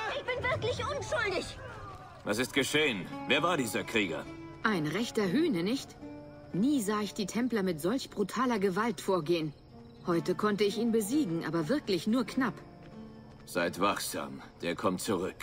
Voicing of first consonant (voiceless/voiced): voiceless